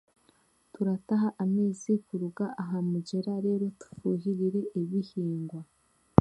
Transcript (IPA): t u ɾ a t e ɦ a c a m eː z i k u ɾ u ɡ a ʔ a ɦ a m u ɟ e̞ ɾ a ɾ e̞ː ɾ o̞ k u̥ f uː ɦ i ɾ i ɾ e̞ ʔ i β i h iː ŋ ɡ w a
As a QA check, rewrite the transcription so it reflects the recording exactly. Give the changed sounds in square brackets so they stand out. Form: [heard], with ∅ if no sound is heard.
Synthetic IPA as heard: t u ɾ a t [a] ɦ a [ʔ] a m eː z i k u ɾ u ɡ a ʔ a ɦ a m u ɟ e̞ ɾ a ɾ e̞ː ɾ o̞ [t] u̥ f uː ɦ i ɾ i ɾ e̞ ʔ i β i h iː ŋ ɡ w a